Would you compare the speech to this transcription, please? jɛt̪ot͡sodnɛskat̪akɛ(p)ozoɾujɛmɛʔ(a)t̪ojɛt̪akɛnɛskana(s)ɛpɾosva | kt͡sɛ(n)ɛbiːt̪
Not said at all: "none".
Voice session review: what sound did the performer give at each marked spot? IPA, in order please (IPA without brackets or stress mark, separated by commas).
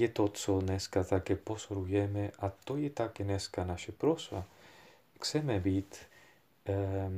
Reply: p, a, ʃ, m